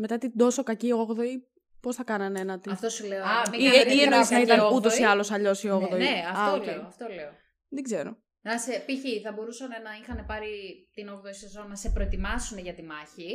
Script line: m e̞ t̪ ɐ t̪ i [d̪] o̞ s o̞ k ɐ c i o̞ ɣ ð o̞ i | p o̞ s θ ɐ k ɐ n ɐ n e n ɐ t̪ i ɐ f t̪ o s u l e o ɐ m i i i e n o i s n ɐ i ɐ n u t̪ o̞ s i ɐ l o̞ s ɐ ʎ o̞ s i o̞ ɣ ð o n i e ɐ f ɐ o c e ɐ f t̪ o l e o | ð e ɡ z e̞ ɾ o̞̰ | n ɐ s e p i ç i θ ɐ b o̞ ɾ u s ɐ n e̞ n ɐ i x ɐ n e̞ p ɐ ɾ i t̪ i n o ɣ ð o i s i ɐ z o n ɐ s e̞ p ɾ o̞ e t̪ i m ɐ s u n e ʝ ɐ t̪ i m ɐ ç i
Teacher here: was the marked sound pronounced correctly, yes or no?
yes